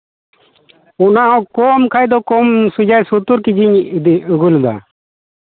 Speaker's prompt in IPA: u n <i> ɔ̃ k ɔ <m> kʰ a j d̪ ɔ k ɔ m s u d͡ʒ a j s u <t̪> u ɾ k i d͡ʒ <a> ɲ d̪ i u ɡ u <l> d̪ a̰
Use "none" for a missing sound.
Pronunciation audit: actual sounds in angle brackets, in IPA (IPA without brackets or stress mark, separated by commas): a, m, t̪, i, l